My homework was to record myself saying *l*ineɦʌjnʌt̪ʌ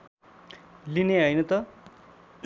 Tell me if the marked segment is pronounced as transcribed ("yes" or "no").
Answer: yes